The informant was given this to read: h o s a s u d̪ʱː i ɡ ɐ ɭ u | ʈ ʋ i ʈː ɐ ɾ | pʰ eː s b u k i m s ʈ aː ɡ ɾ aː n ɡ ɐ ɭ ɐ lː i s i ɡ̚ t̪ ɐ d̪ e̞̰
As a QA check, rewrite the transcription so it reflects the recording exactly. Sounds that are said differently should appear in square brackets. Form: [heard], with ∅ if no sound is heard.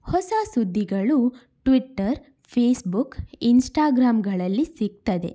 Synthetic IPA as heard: h [ɔ] s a s u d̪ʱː i ɡ ɐ ɭ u | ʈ ʋ i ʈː ɐ ɾ | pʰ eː s b u k i [n] s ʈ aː ɡ ɾ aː [m] ɡ ɐ ɭ ɐ lː i s i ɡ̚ t̪ ɐ d̪ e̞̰

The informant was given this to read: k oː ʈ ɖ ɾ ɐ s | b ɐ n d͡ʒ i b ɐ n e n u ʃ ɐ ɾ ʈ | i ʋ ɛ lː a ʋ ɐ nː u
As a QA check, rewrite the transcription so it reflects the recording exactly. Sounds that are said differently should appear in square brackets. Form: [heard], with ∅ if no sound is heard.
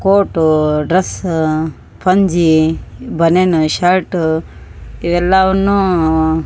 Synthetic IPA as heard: k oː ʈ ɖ ɾ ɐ s | [p] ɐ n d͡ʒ i b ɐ n e n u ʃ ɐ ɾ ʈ | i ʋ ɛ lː a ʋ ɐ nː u

